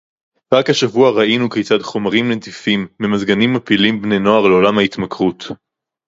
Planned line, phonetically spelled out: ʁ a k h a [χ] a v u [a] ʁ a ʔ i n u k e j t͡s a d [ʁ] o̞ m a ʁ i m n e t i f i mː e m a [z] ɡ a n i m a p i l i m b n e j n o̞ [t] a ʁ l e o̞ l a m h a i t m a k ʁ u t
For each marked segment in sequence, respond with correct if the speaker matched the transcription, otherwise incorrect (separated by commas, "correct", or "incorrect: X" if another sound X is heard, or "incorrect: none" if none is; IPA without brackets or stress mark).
incorrect: ʃ, correct, incorrect: χ, correct, incorrect: none